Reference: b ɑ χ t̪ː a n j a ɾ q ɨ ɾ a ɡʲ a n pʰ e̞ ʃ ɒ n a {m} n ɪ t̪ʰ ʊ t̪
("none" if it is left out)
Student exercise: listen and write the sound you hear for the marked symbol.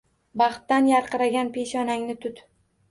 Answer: ŋ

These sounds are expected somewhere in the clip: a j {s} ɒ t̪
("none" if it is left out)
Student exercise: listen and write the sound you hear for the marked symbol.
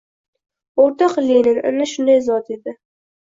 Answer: z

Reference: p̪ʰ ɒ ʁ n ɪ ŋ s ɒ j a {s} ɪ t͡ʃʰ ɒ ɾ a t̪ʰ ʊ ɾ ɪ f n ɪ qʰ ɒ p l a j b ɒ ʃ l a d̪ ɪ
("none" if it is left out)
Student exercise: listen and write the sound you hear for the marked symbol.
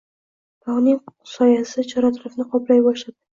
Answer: s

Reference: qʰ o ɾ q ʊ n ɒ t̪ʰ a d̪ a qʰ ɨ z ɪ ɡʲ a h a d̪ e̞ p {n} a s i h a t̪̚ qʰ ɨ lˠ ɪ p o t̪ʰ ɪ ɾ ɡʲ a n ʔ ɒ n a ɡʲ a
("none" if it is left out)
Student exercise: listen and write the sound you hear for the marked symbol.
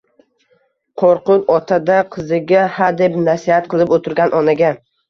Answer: n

